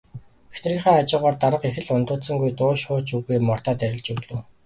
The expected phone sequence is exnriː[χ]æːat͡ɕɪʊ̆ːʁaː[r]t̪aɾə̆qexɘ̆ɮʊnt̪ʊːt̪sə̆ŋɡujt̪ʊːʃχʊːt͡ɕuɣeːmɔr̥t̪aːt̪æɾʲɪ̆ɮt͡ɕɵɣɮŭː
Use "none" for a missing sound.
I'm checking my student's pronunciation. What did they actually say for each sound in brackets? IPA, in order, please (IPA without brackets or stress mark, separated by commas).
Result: χ, r